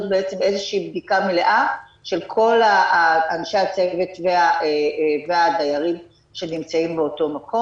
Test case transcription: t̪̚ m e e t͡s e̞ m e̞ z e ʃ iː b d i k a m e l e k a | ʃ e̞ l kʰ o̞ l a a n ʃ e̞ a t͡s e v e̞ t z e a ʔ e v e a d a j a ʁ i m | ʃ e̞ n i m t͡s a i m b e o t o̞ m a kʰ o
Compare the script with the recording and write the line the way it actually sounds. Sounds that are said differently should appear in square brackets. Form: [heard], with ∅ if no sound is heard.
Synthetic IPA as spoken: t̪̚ [b] e e t͡s e̞ m e̞ z e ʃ iː b d i k a m e l e [ʔ] a | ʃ e̞ l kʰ o̞ l a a n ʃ e̞ a t͡s e v e̞ t [v] e a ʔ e v e a d a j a ʁ i m | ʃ e̞ n i m t͡s a i m b e o t o̞ m a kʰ o